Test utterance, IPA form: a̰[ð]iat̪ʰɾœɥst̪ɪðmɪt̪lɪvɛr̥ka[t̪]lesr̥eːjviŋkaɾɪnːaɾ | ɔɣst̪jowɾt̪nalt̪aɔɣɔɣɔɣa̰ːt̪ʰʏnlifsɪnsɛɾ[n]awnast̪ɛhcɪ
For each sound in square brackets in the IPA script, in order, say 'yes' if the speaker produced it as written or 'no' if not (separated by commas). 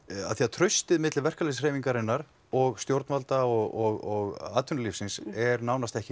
no, no, yes